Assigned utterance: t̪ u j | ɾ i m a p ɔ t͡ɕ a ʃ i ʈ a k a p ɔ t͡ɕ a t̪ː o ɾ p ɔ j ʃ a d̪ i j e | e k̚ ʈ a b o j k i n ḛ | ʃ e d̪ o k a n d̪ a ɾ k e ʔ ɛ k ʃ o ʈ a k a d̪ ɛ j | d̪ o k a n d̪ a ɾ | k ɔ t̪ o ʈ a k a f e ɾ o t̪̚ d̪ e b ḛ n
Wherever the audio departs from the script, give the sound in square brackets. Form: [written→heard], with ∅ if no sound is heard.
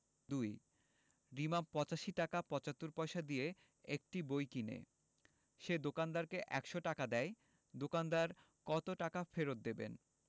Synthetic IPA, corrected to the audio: [t̪→d̪] u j | ɾ i m a p ɔ t͡ɕ a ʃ i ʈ a k a p ɔ t͡ɕ a t̪ː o ɾ p ɔ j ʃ a d̪ i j e | e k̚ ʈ [a→i] b o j k i n ḛ | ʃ e d̪ o k a n d̪ a ɾ k e ʔ ɛ k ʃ o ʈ a k a d̪ ɛ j | d̪ o k a n d̪ a ɾ | k ɔ t̪ o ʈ a k a f e ɾ o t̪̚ d̪ e b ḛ n